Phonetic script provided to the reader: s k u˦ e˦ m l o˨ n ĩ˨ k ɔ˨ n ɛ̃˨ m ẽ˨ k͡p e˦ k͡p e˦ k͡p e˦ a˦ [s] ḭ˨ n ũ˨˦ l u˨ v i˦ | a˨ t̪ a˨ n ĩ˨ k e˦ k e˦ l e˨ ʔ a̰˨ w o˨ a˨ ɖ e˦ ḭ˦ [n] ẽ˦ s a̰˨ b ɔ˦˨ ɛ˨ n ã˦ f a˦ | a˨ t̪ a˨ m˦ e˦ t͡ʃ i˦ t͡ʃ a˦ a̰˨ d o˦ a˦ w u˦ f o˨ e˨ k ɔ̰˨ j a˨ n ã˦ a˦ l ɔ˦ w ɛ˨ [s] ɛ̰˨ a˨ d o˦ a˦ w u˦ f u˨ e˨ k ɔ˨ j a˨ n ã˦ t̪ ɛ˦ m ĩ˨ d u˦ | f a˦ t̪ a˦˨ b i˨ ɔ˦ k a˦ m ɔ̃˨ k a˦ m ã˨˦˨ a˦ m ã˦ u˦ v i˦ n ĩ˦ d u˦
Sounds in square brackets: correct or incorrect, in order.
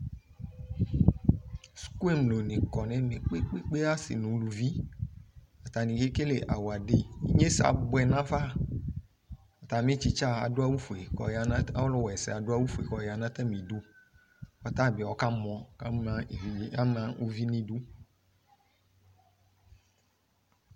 correct, incorrect: ɲ, correct

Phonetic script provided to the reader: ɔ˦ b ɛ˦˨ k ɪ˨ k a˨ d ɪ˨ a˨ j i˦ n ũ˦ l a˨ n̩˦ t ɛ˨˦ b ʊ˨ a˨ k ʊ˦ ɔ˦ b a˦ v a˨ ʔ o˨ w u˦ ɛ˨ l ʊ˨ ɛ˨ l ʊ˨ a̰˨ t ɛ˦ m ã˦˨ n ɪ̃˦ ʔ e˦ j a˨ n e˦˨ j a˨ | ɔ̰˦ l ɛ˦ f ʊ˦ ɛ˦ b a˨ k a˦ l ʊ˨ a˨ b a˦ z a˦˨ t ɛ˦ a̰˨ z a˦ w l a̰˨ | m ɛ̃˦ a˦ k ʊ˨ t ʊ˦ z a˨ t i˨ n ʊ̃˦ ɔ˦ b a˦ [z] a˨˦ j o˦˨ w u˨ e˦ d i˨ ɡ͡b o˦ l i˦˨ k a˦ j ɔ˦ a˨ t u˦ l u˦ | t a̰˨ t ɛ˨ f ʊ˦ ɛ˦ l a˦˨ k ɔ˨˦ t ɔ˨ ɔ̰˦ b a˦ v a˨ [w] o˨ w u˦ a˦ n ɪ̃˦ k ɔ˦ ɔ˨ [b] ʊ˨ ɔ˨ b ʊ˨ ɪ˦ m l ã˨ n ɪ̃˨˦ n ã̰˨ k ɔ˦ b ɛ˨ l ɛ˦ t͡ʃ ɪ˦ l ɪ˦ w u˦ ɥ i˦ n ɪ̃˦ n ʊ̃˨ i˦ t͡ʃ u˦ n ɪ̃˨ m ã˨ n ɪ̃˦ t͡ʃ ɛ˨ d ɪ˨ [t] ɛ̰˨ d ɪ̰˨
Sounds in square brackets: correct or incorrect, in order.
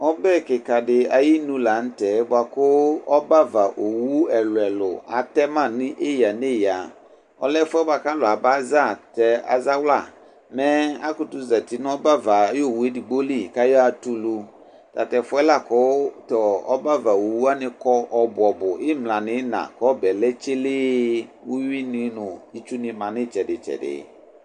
incorrect: v, correct, correct, incorrect: t͡ʃ

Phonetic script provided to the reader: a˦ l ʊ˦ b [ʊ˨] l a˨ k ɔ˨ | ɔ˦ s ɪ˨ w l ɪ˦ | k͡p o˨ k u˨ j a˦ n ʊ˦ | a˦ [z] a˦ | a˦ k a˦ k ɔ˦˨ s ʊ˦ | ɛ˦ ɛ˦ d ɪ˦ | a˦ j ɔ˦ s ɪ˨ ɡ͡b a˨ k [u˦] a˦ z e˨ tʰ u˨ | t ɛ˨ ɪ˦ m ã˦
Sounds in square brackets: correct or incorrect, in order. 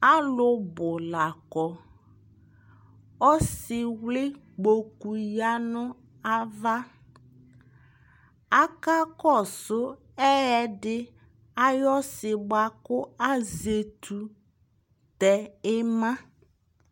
correct, incorrect: v, incorrect: ʊ˦

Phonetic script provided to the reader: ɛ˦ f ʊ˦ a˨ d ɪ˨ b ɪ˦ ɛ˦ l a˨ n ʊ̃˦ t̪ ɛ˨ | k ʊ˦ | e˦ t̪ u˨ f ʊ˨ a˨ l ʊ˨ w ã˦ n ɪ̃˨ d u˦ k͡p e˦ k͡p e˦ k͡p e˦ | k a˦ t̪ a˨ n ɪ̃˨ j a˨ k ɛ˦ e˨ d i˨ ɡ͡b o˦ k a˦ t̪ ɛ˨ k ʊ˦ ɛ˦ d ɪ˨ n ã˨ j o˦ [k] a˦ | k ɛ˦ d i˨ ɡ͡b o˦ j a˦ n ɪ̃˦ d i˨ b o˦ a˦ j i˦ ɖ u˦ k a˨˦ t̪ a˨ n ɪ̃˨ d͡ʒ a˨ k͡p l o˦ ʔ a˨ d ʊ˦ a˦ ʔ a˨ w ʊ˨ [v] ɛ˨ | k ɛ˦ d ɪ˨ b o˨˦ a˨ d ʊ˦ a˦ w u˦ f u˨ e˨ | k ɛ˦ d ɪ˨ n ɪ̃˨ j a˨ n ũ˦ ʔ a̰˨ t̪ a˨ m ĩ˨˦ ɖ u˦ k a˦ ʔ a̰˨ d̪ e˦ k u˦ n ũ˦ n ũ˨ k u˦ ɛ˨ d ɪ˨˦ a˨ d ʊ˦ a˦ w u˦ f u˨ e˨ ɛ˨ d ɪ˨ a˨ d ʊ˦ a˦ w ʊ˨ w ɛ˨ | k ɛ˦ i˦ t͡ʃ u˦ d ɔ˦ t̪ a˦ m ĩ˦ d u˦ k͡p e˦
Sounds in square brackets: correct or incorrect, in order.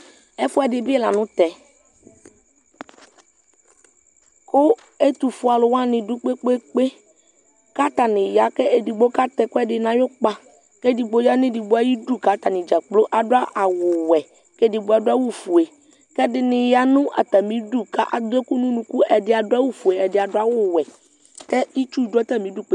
incorrect: k͡p, incorrect: w

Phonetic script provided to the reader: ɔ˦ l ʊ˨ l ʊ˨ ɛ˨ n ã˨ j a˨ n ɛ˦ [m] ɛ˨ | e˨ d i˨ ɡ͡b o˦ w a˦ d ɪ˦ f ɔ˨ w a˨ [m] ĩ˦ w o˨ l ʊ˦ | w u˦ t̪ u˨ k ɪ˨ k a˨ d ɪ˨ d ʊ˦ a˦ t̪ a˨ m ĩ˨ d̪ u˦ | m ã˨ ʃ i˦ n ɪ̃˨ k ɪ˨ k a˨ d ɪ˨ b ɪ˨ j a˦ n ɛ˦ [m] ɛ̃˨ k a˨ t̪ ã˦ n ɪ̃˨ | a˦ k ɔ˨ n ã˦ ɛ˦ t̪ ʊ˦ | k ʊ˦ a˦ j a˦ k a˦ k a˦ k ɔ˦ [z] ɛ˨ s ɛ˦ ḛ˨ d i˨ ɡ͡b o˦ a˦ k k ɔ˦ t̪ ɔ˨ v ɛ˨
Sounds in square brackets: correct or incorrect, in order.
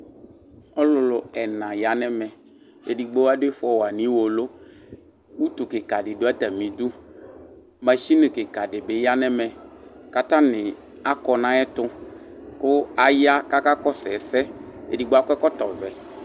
correct, incorrect: n, correct, incorrect: s

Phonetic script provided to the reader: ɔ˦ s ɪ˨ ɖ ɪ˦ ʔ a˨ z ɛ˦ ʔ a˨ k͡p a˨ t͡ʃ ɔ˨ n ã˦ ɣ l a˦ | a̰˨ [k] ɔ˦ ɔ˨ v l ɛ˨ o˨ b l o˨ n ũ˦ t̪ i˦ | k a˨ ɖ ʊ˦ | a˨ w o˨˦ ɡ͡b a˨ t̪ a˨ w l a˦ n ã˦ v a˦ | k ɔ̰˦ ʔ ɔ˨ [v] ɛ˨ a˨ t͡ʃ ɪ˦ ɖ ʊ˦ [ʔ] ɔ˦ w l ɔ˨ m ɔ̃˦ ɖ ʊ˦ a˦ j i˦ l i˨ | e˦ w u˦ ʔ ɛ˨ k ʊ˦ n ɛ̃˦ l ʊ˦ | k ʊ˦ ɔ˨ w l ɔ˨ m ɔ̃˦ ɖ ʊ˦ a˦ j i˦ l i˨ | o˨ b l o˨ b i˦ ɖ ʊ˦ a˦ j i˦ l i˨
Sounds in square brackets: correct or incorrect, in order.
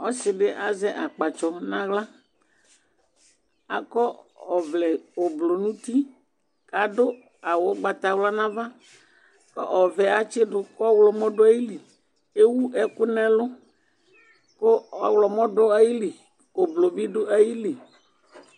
correct, correct, incorrect: k

